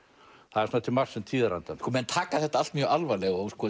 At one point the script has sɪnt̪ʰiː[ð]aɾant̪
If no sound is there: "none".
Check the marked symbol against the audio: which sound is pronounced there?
ð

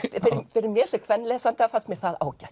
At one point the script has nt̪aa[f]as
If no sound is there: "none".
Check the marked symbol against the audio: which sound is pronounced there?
f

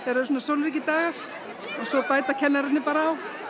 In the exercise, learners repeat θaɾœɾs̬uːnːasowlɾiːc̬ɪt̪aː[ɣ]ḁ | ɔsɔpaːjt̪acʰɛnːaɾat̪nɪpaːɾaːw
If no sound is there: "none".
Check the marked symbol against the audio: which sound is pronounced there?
ɣ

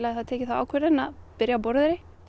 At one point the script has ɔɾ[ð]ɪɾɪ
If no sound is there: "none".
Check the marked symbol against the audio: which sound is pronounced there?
ð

